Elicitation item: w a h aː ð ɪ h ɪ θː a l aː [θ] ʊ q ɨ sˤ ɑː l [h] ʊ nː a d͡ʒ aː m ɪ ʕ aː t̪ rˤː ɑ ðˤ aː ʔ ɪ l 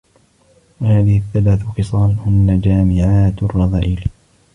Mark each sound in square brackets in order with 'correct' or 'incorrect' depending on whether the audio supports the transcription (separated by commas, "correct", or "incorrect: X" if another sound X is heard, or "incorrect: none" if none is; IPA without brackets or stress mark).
correct, correct